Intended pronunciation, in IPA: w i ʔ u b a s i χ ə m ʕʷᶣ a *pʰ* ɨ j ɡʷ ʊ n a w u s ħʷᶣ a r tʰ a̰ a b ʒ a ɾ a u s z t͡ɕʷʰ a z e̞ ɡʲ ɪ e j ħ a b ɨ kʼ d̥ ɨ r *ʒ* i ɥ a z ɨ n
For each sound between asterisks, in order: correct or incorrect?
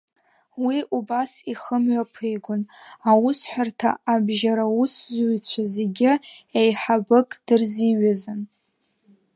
correct, incorrect: z

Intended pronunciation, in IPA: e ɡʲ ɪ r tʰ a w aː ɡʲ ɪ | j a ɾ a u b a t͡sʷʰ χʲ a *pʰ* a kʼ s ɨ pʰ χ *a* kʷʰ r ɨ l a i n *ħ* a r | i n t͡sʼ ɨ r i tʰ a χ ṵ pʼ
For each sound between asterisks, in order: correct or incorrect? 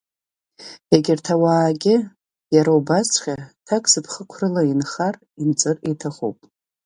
incorrect: tʰ, incorrect: ə, incorrect: χ

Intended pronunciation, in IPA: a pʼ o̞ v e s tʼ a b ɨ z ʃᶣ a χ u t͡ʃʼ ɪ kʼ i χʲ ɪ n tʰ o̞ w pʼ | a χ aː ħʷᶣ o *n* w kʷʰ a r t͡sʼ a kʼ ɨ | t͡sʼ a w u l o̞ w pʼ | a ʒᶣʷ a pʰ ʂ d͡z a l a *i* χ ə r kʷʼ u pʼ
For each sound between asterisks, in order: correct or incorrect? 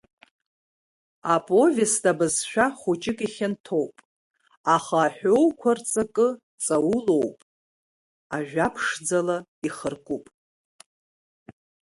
incorrect: none, correct

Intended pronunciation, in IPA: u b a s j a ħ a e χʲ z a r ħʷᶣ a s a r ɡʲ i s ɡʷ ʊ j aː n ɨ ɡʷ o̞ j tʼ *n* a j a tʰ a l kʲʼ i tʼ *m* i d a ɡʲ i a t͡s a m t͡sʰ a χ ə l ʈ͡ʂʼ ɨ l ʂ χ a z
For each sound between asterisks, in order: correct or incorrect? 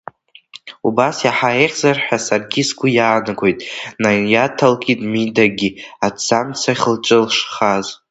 correct, correct

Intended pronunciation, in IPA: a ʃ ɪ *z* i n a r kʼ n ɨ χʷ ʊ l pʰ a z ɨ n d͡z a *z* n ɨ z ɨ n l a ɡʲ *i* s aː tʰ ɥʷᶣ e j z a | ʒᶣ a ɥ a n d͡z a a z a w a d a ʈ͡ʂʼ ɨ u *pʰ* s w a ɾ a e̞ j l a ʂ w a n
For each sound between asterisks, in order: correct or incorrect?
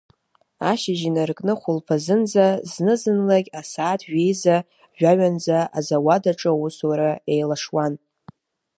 incorrect: ʒ, correct, incorrect: a, incorrect: none

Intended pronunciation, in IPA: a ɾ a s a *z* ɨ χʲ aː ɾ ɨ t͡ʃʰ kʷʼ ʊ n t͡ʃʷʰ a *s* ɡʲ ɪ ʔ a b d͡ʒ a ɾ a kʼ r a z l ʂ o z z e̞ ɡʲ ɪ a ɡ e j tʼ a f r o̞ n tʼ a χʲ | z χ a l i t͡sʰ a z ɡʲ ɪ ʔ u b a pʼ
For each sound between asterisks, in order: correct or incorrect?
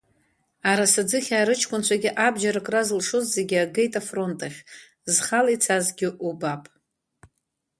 incorrect: d͡z, incorrect: none

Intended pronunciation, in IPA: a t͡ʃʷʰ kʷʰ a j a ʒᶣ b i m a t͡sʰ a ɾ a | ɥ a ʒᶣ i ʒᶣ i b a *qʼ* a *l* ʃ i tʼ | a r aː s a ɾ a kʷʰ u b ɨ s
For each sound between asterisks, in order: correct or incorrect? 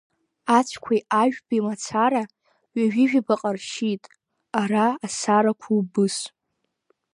correct, incorrect: r

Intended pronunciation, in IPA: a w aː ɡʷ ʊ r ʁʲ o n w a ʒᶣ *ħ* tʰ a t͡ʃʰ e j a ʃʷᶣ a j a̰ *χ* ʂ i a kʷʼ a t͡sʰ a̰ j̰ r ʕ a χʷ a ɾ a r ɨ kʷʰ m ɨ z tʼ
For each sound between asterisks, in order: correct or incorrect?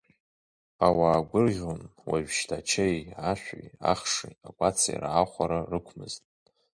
incorrect: ʃ, correct

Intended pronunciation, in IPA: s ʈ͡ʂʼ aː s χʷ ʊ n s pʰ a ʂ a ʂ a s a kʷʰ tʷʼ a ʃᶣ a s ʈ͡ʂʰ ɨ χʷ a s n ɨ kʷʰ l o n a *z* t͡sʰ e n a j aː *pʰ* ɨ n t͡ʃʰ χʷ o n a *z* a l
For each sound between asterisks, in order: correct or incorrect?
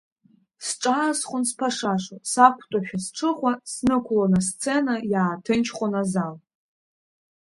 incorrect: s, incorrect: tʰ, correct

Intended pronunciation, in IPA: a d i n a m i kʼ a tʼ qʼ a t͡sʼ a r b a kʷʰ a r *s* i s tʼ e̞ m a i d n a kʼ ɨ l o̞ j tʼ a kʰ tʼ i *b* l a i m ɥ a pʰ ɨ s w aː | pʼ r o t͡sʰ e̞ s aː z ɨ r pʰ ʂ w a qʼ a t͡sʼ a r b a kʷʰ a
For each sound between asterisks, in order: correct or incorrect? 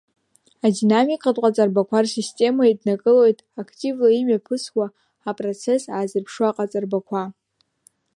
correct, incorrect: v

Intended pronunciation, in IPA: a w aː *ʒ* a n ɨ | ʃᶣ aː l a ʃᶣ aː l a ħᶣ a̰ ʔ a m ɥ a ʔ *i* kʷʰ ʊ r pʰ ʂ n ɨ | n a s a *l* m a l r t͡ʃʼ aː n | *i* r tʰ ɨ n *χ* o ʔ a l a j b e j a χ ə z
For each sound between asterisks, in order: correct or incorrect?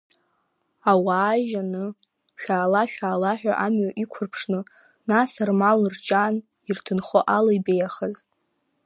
correct, correct, incorrect: r, correct, correct

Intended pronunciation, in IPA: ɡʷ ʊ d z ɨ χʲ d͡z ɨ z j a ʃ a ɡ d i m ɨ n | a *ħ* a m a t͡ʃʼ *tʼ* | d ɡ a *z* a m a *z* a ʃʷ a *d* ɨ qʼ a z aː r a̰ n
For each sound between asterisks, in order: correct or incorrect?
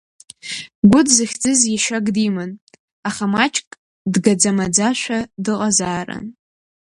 incorrect: χ, incorrect: kʼ, incorrect: d͡z, incorrect: d͡z, correct

